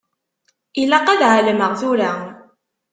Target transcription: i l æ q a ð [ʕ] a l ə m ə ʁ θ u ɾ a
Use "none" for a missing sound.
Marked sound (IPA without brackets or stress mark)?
ʕ